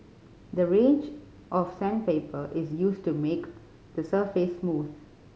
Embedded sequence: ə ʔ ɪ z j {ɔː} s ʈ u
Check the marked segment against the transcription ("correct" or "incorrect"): incorrect